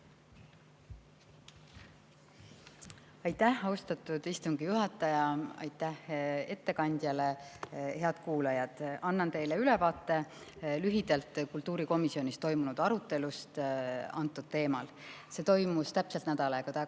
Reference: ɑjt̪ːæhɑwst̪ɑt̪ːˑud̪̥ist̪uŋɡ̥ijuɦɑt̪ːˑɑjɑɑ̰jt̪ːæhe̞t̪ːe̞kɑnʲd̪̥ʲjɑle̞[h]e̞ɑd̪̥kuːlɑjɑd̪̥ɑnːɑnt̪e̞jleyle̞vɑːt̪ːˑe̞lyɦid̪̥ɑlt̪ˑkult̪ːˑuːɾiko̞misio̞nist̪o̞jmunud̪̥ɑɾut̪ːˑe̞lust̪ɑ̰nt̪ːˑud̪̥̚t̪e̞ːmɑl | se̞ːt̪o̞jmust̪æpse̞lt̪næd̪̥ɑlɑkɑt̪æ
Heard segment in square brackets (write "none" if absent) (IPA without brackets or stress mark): h